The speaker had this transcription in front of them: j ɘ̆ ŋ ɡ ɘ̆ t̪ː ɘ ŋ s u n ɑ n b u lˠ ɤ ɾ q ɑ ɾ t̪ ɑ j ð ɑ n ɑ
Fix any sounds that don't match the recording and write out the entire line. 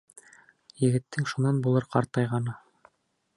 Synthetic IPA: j ɘ̆ ɡ ɘ̆ t̪ː ɘ ŋ ʃ u n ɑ n b u lˠ ɤ ɾ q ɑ ɾ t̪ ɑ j ʁ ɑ n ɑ